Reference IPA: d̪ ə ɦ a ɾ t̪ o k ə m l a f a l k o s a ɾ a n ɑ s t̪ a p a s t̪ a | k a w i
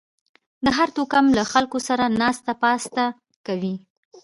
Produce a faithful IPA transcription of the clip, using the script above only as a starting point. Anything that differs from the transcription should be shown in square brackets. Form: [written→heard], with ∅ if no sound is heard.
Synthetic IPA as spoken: d̪ ə ɦ a ɾ t̪ o k [ə→a] m l a [f→x] a l k o s a ɾ a n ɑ s t̪ a p [a→ɑ] s t̪ a | k a w i